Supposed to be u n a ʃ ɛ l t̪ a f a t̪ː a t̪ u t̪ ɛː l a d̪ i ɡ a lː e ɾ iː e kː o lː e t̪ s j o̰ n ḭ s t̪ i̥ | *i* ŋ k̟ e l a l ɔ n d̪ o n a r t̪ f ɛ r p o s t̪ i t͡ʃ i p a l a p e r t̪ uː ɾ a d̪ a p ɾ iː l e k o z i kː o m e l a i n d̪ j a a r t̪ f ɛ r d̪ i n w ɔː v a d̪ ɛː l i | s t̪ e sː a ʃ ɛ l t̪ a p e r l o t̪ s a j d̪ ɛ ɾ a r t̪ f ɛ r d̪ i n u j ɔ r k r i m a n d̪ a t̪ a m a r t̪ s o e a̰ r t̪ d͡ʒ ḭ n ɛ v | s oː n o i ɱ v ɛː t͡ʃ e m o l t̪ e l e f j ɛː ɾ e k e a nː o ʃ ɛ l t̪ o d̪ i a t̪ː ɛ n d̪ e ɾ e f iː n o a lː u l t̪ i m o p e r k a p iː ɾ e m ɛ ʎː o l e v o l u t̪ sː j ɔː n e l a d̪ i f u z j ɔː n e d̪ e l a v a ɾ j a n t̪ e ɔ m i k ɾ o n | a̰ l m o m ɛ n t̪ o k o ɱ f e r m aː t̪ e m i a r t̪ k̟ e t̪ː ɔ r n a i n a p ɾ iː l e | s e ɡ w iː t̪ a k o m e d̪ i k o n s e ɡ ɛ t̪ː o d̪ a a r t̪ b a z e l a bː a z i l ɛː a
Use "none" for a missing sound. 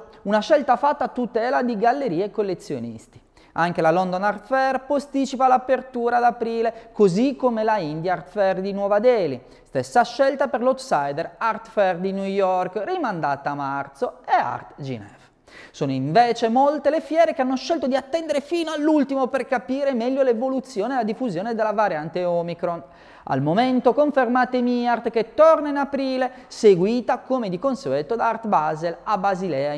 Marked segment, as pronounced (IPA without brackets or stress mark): a